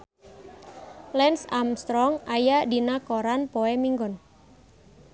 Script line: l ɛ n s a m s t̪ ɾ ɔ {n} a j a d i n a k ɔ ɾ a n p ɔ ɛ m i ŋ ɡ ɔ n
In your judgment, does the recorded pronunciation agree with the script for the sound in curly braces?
no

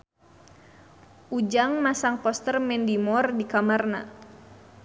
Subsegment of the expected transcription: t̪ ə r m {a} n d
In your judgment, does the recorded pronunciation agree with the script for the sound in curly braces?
no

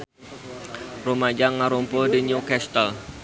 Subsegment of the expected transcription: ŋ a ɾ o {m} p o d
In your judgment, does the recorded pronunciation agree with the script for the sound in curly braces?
yes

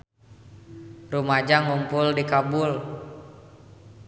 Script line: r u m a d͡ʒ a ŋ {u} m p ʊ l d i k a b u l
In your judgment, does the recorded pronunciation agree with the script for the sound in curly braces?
yes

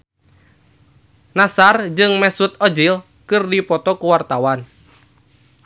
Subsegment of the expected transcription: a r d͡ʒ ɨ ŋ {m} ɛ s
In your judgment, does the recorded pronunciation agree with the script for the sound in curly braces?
yes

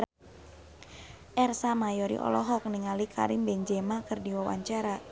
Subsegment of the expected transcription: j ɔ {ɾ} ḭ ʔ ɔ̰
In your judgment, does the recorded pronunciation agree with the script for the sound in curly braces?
yes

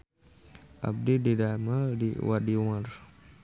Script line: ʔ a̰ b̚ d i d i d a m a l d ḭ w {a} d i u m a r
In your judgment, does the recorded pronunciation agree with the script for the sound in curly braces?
yes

